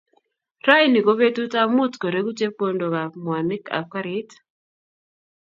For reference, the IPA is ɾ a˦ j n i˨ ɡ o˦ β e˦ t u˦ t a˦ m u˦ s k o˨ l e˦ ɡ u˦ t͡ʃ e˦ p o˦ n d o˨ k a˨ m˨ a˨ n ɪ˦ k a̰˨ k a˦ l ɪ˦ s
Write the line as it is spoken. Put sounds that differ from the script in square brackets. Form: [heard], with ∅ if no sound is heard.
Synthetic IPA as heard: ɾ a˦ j n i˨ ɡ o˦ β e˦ t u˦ t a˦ m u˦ [t] k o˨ [ɾ] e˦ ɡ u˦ t͡ʃ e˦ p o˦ n d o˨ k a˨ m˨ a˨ n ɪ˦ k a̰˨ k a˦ [ɾ] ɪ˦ [t]